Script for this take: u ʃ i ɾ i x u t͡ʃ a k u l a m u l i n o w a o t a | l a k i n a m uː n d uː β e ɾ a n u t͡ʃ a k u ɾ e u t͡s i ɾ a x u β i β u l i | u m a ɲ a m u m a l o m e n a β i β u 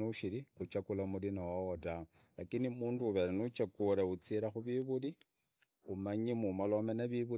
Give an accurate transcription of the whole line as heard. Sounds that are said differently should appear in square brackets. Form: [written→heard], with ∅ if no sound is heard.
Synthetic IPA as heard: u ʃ i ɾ i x u t͡ʃ a k u l a m u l i n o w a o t a | l a k i n [a→i] m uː n d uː β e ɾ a n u t͡ʃ a k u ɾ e u t͡s i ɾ a x u β i β u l i | u m a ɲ [a→i] m u m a l o m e n a β i β u